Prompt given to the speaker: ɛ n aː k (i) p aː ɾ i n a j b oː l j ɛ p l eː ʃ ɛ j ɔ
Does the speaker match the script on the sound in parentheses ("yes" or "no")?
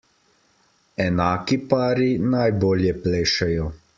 yes